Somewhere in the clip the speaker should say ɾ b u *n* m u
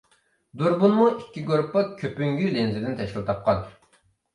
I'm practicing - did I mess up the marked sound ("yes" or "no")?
no